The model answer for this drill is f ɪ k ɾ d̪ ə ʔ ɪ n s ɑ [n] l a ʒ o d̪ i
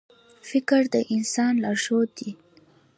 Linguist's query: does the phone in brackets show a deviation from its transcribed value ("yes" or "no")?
no